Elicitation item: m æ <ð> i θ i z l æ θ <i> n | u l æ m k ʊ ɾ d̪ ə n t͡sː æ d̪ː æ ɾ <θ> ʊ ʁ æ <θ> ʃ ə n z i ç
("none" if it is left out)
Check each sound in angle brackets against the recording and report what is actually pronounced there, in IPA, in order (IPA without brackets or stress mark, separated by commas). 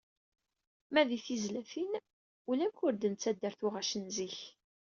ð, i, θ, none